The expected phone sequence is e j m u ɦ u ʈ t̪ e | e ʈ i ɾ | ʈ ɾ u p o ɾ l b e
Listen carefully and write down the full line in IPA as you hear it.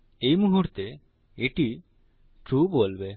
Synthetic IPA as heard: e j m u ɦ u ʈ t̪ e | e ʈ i | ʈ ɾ u b o l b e